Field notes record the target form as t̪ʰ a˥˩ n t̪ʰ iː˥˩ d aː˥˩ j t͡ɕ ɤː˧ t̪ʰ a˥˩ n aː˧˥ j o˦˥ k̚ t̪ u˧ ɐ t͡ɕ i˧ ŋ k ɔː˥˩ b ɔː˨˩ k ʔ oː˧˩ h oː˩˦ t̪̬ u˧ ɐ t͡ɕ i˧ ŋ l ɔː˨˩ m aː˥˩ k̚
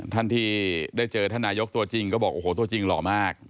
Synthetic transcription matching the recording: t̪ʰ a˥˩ n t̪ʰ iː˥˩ d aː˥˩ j t͡ɕ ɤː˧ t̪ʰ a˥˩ n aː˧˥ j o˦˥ k̚ t̪ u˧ ɐ t͡ɕ i˧ ŋ k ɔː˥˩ b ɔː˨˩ k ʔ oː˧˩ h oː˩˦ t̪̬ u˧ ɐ t͡ɕ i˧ ŋ l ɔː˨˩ m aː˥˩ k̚